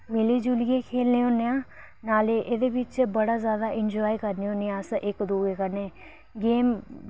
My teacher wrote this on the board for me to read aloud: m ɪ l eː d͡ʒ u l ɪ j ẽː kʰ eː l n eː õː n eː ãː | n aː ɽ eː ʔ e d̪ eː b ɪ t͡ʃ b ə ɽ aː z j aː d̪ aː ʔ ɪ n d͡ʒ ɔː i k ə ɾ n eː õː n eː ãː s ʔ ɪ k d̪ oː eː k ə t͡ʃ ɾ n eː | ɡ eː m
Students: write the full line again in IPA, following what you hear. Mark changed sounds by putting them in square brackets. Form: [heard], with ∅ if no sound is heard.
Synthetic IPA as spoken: m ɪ l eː d͡ʒ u l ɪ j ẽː kʰ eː l n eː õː n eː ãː | n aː [l] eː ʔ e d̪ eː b ɪ t͡ʃ b ə ɽ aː z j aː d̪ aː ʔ ɪ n d͡ʒ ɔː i k ə ɾ n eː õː n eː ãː s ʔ ɪ k d̪ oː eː k ə [∅] ɾ n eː | ɡ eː m